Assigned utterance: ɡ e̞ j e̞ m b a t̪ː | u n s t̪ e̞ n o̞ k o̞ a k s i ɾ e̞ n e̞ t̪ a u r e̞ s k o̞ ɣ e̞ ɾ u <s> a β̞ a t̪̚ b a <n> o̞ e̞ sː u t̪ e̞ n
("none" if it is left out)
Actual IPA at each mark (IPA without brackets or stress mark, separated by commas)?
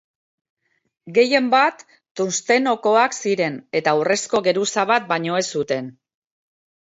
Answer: s, ɲ